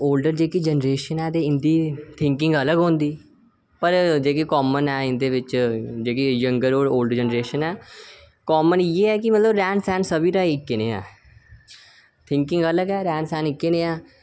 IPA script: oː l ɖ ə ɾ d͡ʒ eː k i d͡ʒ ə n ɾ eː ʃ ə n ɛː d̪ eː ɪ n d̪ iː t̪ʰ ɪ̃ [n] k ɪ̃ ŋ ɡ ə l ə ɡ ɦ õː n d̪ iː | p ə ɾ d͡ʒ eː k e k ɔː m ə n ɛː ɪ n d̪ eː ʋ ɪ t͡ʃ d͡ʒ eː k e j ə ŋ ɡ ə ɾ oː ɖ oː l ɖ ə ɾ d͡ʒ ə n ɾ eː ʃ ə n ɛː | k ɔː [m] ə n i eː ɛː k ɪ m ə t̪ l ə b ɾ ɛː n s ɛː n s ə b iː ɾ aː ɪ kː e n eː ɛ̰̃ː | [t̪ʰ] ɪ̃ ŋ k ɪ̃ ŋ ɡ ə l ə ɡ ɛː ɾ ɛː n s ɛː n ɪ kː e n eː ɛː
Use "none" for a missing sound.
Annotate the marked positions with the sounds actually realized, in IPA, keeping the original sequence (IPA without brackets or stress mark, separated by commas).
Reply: ŋ, m, t̪ʰ